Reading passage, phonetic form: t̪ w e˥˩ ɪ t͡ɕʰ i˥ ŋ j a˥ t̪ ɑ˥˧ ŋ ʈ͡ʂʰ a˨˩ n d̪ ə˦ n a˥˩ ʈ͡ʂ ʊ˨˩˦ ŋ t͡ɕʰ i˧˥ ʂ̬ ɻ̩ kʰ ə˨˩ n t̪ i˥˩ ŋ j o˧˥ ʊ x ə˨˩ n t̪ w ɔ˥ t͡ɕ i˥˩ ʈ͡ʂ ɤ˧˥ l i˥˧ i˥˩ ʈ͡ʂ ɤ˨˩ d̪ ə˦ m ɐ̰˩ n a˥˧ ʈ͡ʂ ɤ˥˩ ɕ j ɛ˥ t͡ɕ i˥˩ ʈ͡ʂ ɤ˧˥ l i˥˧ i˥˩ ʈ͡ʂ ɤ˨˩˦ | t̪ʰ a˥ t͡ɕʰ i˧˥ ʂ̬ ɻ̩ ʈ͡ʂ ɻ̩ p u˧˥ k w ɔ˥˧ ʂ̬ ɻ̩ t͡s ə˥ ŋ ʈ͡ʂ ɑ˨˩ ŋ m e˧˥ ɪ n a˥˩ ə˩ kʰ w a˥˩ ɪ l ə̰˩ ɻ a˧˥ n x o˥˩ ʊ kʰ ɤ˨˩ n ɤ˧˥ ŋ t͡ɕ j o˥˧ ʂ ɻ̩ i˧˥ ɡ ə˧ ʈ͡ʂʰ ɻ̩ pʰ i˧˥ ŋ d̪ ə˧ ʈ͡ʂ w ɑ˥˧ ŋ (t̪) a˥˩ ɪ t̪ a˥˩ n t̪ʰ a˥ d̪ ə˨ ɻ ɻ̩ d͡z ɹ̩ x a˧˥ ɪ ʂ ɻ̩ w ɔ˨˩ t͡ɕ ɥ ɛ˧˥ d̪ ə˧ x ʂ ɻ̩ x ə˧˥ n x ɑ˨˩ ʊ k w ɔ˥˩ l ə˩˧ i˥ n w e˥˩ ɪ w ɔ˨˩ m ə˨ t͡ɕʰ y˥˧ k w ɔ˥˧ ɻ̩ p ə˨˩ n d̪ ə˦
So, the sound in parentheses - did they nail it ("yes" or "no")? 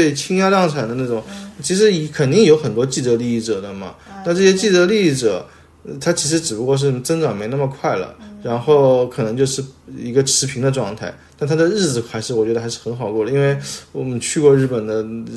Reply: no